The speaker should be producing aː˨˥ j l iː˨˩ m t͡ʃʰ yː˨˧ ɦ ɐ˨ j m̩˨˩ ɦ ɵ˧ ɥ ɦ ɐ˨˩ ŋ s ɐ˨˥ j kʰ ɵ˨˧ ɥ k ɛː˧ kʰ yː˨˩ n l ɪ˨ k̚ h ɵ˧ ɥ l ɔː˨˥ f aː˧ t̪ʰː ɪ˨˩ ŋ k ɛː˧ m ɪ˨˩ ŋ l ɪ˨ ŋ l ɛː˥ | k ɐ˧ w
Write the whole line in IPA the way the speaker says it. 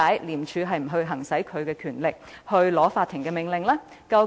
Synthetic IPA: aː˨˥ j l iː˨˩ m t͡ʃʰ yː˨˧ ɦ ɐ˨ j m̩˨˩ ɦ ɵ˧ ɥ ɦ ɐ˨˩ ŋ s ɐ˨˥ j kʰ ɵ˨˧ ɥ k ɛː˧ kʰ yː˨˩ n l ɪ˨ k̚ h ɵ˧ ɥ l ɔː˨˥ f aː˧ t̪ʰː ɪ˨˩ ŋ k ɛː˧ m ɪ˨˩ ŋ l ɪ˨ ŋ l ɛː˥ | k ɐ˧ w